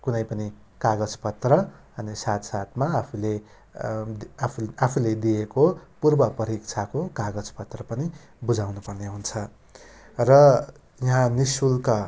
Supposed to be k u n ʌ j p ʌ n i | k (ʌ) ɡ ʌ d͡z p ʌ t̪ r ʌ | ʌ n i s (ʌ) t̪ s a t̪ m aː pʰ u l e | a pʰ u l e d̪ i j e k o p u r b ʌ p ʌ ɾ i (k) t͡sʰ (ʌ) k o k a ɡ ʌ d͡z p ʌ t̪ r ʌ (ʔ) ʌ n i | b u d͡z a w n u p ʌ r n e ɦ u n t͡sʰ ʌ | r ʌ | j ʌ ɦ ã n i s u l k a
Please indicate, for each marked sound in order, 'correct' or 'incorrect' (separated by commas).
incorrect, incorrect, correct, incorrect, incorrect